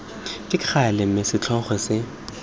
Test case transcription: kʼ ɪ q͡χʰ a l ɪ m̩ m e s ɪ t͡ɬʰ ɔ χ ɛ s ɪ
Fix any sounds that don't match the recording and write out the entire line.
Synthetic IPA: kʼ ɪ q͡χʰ a l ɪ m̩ m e s ɪ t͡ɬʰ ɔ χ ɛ s ɪ